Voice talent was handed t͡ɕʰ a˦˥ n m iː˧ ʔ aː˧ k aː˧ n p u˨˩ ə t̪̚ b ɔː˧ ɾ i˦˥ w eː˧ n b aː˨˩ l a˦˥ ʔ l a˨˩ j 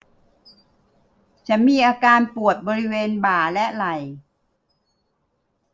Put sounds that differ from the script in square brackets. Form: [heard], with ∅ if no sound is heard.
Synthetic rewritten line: t͡ɕʰ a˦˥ n m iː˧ ʔ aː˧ k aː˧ n p u˨˩ ə t̪̚ b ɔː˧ ɾ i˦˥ w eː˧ n b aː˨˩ l [ɛ˦˥] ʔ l a˨˩ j